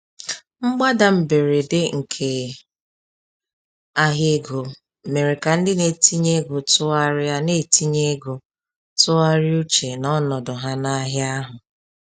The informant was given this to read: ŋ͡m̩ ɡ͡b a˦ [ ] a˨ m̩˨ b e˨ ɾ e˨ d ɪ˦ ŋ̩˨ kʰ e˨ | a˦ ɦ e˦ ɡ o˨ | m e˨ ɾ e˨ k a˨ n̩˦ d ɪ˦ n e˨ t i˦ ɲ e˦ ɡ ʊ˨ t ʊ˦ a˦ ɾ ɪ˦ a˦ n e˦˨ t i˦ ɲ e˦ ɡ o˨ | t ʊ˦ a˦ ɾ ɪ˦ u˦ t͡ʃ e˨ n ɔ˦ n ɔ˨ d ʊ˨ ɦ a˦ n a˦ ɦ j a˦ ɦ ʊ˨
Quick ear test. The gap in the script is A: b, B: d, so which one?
B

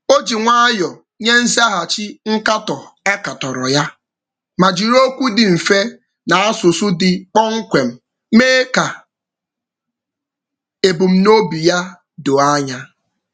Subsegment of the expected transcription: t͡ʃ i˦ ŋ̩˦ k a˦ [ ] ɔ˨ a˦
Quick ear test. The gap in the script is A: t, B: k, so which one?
A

